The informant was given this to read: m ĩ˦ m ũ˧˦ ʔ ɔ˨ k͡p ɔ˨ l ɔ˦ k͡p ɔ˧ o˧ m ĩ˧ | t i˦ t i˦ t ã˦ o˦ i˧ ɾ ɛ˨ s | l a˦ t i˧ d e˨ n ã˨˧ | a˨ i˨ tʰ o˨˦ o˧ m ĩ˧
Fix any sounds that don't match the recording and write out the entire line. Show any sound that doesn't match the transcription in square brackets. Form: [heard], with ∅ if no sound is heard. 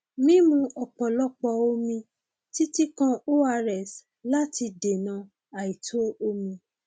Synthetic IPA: m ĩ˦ m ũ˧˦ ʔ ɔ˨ k͡p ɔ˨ l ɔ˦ k͡p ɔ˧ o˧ m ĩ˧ | t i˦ t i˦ [k] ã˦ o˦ [a˧] ɾ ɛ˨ s | l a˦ t i˧ d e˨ n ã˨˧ | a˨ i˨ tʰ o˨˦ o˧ m ĩ˧